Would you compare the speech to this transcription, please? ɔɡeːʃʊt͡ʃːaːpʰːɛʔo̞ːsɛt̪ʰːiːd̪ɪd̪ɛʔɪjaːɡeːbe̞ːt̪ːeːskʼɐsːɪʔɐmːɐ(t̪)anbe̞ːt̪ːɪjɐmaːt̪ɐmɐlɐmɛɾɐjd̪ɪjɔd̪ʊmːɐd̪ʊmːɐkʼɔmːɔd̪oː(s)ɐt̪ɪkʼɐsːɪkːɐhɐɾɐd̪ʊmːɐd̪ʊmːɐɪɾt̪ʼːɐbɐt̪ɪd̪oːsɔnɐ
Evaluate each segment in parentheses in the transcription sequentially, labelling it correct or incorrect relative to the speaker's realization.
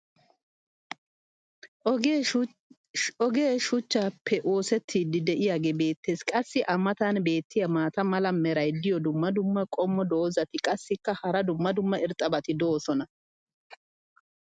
correct, incorrect: z

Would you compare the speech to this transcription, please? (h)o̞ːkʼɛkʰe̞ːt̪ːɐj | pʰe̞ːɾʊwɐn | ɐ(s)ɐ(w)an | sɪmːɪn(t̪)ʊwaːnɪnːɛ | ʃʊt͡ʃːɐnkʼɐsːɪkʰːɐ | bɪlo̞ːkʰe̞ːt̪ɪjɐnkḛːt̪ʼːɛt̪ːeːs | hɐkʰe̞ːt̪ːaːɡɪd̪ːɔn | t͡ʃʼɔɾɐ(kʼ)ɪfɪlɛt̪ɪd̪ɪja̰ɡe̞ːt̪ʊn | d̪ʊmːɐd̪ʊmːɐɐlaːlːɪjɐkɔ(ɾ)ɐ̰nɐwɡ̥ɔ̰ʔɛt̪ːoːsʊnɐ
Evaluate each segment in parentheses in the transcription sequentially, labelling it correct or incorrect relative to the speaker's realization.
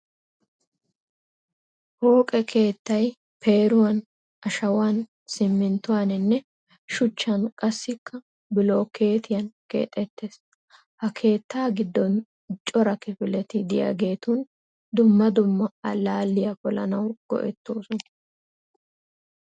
correct, incorrect: ʃ, correct, correct, incorrect: k, incorrect: l

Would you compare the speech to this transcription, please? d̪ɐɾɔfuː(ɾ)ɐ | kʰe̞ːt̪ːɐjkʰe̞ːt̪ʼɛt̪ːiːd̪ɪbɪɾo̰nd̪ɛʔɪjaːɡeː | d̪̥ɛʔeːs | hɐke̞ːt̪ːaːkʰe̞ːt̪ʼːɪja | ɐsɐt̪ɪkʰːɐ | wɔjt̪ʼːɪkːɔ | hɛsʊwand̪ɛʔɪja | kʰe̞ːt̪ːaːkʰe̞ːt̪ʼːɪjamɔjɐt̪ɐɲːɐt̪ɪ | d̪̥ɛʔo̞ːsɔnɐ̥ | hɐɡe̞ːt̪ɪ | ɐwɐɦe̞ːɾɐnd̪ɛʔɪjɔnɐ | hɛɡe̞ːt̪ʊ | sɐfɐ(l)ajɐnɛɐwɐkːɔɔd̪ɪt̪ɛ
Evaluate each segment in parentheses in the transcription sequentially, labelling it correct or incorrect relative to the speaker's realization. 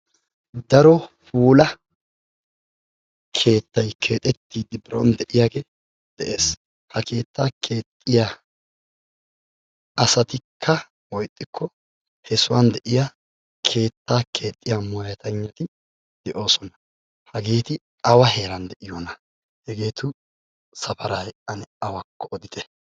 incorrect: l, incorrect: ɾ

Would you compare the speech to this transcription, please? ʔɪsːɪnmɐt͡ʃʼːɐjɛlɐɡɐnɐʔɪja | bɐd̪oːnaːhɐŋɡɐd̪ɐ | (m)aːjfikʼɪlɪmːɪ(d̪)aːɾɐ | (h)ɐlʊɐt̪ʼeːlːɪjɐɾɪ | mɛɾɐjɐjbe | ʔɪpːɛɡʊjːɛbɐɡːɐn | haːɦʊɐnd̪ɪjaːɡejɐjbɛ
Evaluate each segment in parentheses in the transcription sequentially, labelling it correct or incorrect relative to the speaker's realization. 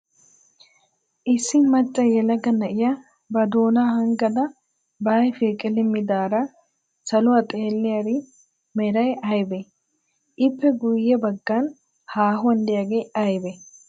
incorrect: b, correct, incorrect: s

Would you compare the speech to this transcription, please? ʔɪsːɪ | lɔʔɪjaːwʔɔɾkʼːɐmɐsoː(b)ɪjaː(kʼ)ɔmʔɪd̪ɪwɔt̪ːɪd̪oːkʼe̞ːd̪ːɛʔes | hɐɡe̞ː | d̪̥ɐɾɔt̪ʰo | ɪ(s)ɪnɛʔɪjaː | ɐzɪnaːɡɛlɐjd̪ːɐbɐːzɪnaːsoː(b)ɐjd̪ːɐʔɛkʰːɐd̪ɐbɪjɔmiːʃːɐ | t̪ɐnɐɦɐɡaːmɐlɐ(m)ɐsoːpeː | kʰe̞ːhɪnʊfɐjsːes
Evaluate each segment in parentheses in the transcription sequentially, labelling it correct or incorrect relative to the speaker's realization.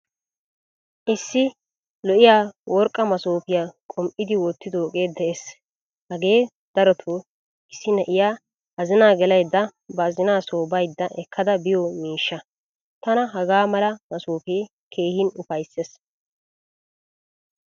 incorrect: p, correct, incorrect: sː, correct, correct

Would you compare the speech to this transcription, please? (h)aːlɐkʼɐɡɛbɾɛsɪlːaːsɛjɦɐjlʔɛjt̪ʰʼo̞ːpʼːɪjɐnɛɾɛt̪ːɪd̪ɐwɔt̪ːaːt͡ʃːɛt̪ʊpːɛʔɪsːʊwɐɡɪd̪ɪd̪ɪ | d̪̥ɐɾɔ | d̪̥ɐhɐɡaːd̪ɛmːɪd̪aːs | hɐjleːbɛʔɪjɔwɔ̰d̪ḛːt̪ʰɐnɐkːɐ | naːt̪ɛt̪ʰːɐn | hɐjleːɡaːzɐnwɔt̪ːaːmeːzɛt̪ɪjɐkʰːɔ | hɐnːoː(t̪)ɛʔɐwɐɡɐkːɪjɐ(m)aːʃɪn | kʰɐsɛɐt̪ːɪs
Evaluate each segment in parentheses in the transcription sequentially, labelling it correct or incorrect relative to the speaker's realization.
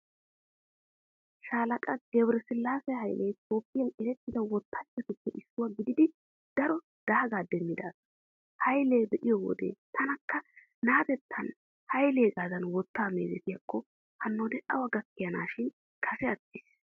incorrect: ʃ, incorrect: d̪, incorrect: n

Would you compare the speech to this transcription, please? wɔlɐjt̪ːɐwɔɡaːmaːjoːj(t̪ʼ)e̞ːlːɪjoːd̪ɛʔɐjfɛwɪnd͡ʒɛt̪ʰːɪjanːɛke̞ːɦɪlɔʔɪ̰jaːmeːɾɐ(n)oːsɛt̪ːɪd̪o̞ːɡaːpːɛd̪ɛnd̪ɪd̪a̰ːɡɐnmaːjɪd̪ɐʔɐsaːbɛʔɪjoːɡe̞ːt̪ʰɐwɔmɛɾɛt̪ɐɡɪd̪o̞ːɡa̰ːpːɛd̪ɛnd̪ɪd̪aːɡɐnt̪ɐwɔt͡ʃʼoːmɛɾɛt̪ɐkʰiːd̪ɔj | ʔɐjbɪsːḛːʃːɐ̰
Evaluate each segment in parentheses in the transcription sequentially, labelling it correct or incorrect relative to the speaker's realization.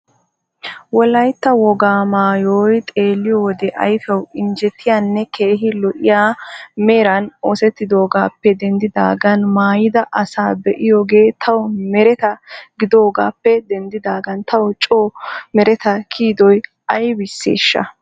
correct, correct

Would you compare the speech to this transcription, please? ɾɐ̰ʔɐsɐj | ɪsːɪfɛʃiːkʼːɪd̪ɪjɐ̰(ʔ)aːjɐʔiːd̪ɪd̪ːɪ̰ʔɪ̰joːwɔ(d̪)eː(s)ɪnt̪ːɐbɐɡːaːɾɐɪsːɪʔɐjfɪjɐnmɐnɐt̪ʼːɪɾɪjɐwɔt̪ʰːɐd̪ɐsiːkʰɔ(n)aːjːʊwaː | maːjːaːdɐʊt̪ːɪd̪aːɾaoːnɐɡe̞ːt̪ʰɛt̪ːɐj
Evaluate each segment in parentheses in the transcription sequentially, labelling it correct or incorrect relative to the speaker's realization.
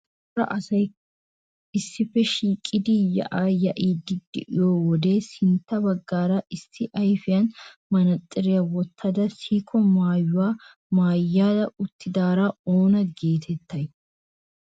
correct, correct, correct, incorrect: m

